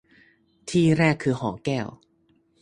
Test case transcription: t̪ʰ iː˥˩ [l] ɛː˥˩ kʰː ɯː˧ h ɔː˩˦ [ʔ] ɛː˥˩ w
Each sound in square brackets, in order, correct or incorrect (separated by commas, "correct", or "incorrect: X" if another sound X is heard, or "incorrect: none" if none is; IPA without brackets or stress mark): incorrect: ɾ, incorrect: k